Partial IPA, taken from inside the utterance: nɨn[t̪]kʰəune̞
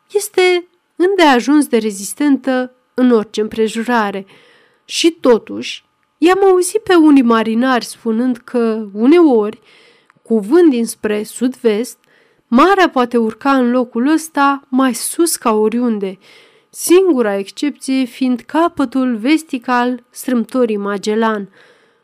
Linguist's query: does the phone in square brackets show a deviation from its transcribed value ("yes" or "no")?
yes